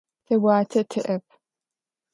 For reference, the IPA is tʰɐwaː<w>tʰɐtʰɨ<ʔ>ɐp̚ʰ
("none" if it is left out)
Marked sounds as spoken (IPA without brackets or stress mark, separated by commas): none, ʔ